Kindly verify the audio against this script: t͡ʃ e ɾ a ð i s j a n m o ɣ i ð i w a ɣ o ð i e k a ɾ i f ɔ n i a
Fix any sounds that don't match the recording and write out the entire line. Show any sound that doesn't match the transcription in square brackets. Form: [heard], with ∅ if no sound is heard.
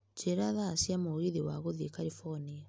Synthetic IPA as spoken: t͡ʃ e ɾ a ð [a] s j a [∅] m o ɣ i ð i w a ɣ o ð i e k a ɾ i f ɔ n i a